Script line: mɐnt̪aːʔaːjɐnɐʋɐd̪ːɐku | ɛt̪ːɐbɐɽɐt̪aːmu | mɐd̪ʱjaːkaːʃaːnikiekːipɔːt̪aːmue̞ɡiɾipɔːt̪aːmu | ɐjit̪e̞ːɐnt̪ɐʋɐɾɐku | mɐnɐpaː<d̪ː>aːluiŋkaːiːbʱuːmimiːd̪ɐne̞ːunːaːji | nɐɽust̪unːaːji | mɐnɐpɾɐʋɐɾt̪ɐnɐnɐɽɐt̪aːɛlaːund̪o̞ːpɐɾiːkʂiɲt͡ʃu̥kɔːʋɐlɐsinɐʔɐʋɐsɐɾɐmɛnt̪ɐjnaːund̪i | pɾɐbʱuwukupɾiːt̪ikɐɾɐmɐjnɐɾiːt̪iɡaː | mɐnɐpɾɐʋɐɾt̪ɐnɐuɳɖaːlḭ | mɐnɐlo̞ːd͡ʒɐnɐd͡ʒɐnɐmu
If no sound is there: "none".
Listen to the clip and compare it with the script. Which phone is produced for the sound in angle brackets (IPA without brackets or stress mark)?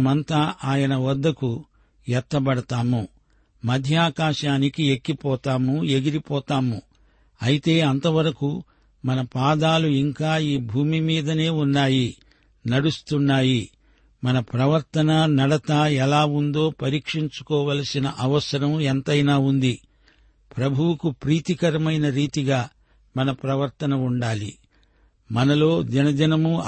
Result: d̪